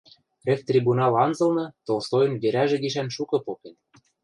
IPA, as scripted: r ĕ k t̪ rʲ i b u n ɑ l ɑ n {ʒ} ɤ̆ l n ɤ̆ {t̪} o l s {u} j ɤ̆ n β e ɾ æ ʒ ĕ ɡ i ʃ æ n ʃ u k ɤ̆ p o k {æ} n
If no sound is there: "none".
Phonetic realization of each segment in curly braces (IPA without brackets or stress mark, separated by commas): z, t̪, o, e